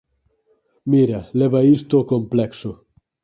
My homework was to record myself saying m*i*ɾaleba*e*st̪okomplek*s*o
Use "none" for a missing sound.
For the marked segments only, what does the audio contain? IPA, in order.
i, i, s

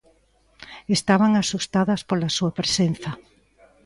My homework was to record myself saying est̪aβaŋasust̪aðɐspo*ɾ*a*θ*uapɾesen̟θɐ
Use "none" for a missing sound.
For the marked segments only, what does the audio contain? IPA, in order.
l, s

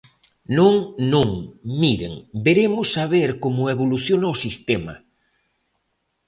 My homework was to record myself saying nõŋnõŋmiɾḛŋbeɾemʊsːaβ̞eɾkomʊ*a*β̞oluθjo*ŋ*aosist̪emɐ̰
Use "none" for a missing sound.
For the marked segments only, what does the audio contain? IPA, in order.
e, n

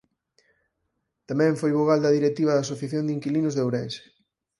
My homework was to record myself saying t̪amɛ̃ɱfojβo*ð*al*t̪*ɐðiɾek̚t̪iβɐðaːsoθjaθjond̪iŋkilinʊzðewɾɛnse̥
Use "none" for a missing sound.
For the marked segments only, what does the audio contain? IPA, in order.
ɣ, d̪

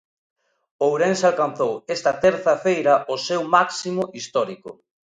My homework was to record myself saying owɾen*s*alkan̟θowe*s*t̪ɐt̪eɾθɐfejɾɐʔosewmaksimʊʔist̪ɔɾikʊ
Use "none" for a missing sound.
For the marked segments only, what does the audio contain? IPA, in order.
s, s

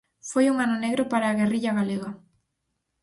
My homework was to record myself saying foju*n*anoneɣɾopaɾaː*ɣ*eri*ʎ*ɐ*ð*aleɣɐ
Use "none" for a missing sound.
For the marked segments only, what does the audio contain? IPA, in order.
ŋ, ɣ, ʎ, ɣ

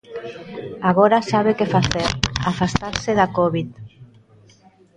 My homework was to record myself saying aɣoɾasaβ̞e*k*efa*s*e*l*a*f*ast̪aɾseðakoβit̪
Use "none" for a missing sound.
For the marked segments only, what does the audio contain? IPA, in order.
k, θ, ɾ, f

